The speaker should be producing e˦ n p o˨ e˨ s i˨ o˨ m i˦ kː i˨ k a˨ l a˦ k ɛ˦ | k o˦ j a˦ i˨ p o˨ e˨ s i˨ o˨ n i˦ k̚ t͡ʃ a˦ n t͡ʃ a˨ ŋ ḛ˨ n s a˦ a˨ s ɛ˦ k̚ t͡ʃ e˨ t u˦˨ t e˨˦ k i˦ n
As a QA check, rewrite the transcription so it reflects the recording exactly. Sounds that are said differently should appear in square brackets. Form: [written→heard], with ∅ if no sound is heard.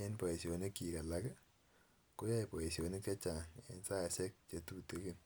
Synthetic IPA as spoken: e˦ n p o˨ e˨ s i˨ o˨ [m→n] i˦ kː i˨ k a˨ l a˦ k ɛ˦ | k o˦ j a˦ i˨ p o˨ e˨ s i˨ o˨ n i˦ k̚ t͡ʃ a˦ [n→∅] t͡ʃ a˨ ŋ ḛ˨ n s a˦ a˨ s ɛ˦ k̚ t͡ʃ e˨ t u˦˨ t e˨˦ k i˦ n